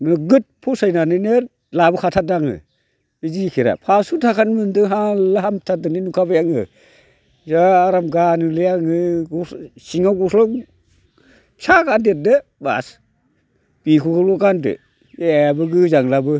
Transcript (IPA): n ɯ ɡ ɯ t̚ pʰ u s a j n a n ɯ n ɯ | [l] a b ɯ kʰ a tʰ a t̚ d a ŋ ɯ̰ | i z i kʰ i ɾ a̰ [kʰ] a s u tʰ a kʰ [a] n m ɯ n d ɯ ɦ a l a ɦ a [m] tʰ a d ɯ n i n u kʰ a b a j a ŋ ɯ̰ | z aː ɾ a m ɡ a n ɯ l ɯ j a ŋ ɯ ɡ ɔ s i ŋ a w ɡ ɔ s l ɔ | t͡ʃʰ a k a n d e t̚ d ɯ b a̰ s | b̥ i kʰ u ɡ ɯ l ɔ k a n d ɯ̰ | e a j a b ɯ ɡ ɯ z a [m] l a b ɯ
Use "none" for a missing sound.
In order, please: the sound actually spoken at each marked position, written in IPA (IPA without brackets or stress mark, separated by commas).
l, pʰ, a, m, ŋ